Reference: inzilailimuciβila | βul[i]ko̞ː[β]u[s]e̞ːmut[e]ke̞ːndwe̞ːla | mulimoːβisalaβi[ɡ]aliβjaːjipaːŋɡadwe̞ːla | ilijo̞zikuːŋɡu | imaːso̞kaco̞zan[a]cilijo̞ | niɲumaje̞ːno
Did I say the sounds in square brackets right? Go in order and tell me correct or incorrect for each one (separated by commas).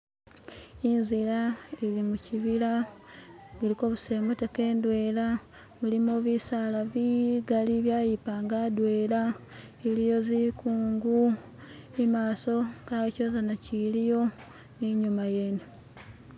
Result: correct, correct, correct, correct, correct, correct